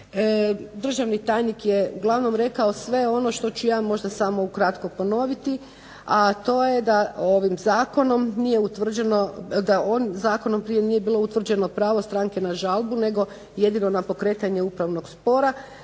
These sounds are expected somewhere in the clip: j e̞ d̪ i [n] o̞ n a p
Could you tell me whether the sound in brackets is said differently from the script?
no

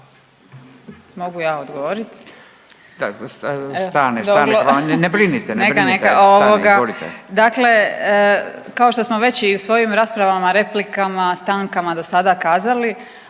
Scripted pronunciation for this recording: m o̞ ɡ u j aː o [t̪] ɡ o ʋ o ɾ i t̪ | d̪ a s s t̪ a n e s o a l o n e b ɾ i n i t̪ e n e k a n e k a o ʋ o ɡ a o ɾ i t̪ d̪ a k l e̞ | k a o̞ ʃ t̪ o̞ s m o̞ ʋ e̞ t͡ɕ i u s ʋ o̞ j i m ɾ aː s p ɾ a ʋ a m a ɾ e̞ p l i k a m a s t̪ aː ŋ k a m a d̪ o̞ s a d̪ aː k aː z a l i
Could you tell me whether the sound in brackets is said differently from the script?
yes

